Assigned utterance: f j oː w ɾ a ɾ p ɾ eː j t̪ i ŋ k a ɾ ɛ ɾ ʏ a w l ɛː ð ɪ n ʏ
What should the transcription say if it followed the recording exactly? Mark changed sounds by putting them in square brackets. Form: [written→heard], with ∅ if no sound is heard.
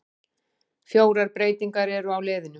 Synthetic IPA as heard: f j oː w ɾ a ɾ p ɾ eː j t̪ i ŋ k a ɾ ɛ ɾ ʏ a w l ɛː ð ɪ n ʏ